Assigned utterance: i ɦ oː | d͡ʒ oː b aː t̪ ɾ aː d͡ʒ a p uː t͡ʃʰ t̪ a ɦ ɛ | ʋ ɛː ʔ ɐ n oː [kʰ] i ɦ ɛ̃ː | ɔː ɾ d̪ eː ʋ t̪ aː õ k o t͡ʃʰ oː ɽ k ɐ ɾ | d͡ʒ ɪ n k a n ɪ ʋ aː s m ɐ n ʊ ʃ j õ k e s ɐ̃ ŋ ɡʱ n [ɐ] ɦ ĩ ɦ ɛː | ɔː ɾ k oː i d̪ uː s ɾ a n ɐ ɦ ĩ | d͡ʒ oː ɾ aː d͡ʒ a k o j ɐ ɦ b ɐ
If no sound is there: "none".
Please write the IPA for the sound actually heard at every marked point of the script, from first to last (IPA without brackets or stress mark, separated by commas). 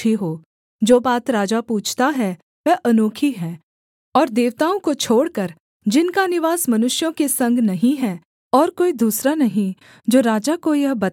kʰ, ɐ